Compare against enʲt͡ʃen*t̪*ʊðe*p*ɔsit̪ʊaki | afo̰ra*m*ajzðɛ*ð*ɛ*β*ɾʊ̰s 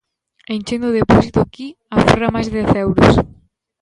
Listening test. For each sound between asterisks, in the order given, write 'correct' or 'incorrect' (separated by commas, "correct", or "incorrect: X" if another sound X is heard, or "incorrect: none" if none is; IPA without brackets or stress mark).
incorrect: d̪, correct, correct, incorrect: θ, incorrect: w